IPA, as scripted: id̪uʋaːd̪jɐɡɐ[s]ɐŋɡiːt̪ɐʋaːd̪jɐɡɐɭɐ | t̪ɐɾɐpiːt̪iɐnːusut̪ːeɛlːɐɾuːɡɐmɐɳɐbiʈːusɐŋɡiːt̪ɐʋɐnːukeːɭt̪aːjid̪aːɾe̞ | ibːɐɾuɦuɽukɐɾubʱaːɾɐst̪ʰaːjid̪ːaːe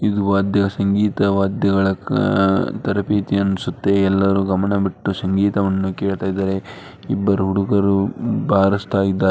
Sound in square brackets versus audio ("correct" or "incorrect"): correct